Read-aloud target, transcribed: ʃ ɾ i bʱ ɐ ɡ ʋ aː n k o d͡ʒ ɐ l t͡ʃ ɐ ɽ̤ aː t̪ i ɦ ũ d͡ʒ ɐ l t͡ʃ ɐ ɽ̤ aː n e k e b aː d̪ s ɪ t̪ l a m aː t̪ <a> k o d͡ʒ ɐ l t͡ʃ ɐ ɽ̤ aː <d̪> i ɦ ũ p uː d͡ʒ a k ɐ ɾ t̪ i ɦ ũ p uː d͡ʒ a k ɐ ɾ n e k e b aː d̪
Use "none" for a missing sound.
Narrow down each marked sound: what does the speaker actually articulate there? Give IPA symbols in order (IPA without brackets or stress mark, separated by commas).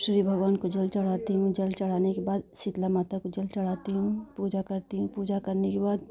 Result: a, t̪